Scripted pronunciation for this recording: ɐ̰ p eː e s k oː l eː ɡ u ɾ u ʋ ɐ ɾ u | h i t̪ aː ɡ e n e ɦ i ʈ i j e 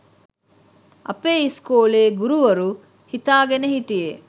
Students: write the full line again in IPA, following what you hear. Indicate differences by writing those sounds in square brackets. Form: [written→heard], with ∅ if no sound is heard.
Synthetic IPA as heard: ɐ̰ p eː [e→i] s k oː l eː ɡ u ɾ u ʋ ɐ ɾ u | h i t̪ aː ɡ e n e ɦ i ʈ i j e